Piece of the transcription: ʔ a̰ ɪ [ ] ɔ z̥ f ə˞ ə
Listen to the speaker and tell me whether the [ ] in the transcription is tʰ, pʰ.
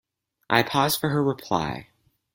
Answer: pʰ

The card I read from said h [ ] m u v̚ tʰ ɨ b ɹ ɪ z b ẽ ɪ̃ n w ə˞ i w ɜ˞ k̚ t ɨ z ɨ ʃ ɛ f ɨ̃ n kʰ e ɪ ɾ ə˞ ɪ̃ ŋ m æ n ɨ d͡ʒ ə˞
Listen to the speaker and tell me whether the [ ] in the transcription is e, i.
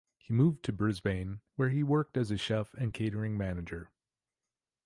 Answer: i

